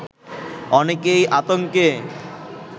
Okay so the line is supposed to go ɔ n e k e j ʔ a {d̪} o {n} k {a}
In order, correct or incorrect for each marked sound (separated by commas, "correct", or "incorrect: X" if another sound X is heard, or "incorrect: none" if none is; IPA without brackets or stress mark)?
incorrect: t̪, incorrect: ŋ, incorrect: e